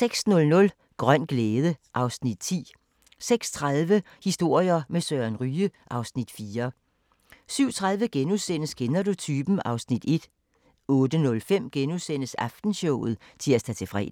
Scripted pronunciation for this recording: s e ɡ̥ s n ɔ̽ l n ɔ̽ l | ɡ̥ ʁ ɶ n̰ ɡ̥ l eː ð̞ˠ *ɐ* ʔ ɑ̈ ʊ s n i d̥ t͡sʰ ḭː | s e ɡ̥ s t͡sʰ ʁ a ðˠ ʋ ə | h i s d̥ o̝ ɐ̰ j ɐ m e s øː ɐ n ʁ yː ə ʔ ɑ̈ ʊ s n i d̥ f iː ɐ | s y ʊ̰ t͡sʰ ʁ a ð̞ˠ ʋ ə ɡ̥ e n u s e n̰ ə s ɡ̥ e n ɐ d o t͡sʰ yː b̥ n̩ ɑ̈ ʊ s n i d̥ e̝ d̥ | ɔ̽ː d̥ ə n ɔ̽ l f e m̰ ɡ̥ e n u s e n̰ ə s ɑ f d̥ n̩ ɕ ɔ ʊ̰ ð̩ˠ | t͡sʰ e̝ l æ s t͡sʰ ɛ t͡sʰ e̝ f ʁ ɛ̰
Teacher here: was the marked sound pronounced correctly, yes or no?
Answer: no